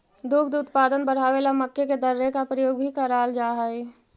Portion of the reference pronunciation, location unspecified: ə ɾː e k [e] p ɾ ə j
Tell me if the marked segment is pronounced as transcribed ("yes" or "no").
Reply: no